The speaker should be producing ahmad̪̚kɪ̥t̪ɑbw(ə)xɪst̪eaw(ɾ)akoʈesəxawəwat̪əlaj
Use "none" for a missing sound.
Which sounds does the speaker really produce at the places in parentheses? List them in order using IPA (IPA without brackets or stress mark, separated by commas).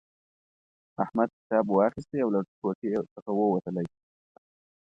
ɑ, l